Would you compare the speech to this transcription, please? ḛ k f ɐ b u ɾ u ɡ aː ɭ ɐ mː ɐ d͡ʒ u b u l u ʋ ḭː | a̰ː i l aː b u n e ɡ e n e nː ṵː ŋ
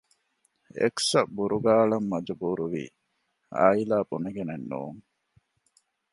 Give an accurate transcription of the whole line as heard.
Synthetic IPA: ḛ k s ɐ b u ɾ u ɡ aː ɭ ɐ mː ɐ d͡ʒ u b u ɾ u ʋ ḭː | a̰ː i l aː b u n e ɡ e n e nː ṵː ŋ